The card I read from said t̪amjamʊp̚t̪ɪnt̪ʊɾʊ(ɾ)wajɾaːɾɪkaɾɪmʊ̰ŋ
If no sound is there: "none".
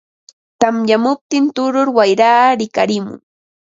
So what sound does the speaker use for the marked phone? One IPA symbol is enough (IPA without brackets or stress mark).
ɾ